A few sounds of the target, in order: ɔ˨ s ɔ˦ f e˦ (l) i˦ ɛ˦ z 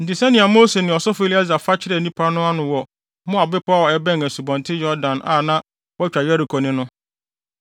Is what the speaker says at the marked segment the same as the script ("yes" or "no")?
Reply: yes